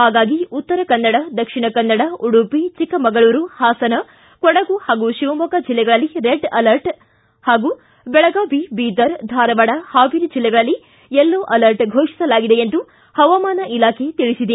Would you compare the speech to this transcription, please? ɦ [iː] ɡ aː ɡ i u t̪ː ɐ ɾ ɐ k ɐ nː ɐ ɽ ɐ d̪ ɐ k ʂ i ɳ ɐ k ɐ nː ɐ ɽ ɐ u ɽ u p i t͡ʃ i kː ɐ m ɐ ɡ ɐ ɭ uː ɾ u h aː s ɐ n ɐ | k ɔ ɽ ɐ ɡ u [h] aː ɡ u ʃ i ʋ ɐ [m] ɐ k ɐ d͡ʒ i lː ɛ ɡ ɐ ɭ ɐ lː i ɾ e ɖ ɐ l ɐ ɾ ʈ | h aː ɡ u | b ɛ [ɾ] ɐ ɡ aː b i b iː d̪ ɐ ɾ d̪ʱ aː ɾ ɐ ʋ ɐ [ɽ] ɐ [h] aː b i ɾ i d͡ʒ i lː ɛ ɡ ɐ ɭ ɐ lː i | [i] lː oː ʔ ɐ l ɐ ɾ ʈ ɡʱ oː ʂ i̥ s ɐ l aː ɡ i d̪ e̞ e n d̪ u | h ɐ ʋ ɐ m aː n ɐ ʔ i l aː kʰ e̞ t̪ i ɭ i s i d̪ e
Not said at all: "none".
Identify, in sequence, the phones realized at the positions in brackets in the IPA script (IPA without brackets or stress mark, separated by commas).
aː, h, m, ɭ, ɽ, h, ɛ